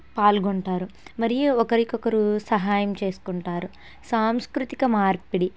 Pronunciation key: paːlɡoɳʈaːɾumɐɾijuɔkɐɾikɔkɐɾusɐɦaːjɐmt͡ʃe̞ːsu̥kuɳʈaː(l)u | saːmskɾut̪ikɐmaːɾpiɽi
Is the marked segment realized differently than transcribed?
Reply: yes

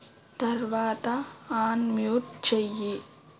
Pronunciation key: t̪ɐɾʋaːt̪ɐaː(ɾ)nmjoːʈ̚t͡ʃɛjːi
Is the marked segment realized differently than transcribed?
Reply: yes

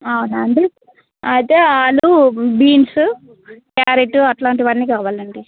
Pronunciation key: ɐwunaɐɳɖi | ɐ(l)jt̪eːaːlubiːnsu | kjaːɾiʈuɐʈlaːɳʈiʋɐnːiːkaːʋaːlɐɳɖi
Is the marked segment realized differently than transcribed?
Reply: yes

